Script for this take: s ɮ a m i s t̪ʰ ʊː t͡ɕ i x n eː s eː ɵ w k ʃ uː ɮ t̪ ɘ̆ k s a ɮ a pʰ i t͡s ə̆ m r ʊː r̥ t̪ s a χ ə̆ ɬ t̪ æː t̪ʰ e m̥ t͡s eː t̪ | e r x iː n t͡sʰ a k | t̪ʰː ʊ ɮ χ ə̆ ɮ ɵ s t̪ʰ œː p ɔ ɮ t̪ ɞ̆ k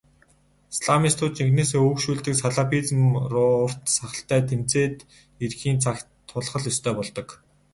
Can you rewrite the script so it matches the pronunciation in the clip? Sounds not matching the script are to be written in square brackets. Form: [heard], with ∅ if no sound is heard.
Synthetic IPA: s ɮ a m i s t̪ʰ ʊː t͡ɕ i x n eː s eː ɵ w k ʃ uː ɮ t̪ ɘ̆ k s a ɮ a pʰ i t͡s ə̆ m r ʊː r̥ t̪ s a χ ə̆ ɬ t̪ æː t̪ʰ e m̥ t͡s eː t̪ | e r x iː n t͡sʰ a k | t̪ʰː ʊ ɮ χ ə̆ ɮ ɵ s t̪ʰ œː p ɔ ɮ t̪ ɞ̆ k